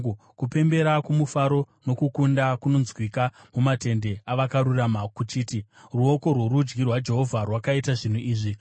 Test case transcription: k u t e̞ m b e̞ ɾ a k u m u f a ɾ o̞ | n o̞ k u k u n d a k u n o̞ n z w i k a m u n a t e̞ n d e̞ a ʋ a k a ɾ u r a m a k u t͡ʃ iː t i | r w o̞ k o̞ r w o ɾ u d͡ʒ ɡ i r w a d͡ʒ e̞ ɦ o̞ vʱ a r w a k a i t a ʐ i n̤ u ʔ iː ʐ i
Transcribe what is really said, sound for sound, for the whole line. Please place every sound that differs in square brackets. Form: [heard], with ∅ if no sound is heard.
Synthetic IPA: k u [p] e̞ m b e̞ ɾ a k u m u f a ɾ o̞ | n o̞ k u k u n d a k u n o̞ n z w i k a m u [m] a t e̞ n d e̞ a ʋ a k a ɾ u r a m a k u t͡ʃ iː t i | r [u] o̞ k o̞ r w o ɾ u d͡ʒ ɡ i r w a d͡ʒ e̞ ɦ o̞ vʱ a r w a k a i t a ʐ i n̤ u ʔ iː ʐ i